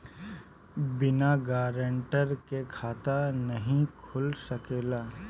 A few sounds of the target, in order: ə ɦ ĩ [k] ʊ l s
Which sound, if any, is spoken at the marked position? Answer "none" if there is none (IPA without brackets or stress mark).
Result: kʰ